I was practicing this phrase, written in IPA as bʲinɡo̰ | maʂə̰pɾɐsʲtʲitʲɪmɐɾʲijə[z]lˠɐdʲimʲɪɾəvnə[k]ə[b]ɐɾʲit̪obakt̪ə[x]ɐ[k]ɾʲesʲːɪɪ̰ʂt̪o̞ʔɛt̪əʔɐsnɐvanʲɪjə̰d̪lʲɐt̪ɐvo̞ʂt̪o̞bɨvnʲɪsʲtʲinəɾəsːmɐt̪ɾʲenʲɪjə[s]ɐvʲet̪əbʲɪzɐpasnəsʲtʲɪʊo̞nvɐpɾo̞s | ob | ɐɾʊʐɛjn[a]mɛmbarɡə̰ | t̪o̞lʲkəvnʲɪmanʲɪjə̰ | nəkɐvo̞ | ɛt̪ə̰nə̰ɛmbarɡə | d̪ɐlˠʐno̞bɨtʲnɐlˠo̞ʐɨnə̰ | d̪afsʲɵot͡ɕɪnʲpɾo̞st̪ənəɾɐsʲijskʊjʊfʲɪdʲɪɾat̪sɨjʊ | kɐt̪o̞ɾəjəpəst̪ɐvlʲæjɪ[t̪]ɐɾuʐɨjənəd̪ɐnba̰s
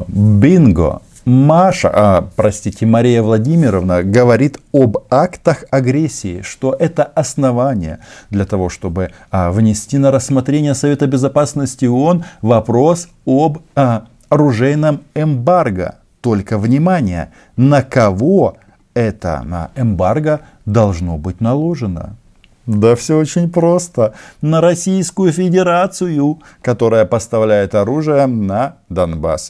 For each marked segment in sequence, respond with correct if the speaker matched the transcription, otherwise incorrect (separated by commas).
incorrect, incorrect, incorrect, correct, incorrect, correct, incorrect, correct